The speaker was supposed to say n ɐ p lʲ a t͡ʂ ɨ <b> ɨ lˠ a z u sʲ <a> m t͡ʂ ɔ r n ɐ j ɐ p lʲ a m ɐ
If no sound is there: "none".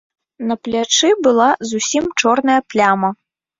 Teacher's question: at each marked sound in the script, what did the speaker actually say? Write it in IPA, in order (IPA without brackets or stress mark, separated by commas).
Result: b, i